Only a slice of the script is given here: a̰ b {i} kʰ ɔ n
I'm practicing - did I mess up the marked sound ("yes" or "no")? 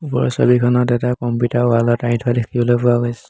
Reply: no